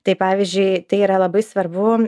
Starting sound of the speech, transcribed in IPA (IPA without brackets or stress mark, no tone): t̪